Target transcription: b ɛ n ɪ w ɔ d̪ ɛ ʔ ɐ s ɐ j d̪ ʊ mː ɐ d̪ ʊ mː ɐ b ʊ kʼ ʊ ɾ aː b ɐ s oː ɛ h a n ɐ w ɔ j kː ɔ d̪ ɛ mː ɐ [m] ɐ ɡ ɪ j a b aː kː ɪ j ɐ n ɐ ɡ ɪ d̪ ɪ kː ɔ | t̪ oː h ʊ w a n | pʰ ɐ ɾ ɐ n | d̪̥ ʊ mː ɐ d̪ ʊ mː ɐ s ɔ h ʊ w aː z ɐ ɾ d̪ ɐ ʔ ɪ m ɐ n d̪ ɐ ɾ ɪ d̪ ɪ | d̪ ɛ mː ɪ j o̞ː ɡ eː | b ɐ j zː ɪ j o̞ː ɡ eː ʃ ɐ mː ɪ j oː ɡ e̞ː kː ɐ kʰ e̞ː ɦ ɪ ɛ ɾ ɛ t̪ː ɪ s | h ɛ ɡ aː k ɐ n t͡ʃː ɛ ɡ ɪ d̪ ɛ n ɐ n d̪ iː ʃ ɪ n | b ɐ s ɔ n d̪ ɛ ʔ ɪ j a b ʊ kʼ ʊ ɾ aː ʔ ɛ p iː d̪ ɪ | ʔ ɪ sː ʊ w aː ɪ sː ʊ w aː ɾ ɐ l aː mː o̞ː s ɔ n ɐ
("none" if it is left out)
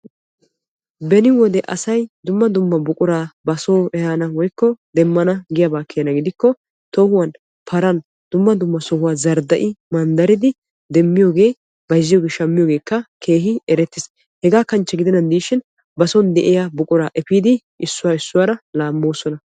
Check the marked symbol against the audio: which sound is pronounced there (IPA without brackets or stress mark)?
n